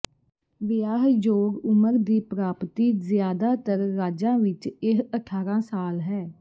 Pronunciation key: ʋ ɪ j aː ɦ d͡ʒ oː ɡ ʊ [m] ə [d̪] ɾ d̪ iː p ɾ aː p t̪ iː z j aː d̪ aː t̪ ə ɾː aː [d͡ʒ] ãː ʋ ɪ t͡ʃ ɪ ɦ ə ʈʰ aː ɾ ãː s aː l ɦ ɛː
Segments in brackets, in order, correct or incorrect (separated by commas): correct, incorrect, correct